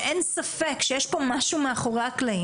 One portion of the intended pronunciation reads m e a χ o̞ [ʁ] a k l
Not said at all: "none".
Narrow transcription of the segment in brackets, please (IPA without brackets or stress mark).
ʁ